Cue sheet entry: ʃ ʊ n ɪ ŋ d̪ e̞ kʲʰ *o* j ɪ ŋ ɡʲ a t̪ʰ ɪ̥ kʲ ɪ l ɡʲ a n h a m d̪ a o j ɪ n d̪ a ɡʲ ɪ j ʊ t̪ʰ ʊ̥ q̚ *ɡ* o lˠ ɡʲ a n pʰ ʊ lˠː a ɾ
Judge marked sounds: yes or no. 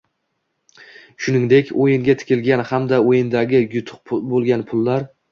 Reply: yes, no

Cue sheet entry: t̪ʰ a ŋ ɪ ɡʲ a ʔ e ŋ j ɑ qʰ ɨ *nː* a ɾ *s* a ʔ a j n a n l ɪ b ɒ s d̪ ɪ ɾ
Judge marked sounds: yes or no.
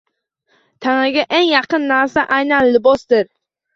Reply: yes, yes

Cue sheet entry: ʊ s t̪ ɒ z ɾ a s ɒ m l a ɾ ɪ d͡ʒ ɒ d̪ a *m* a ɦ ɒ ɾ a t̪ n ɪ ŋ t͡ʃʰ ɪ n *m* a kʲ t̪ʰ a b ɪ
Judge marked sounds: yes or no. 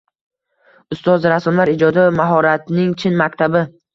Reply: yes, yes

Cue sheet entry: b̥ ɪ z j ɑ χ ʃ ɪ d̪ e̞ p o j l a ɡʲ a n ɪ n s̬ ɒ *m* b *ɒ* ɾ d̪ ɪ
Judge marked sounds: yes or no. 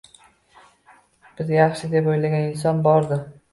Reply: no, yes

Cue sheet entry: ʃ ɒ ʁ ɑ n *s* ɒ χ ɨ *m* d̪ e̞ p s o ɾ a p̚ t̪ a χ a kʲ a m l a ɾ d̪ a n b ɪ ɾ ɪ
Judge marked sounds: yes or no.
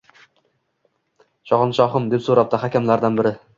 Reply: no, yes

